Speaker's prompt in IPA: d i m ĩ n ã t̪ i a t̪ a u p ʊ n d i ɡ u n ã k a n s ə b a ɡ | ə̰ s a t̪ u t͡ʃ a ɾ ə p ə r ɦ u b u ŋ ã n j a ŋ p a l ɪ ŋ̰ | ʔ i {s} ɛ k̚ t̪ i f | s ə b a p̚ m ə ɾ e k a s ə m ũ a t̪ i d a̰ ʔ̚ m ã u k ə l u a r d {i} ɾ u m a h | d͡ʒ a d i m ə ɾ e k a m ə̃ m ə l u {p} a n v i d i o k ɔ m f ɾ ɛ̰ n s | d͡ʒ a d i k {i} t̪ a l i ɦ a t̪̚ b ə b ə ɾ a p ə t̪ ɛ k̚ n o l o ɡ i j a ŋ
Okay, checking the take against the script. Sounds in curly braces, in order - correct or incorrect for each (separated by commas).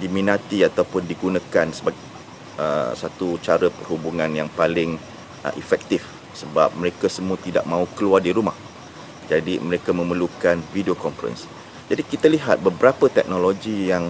incorrect, correct, incorrect, correct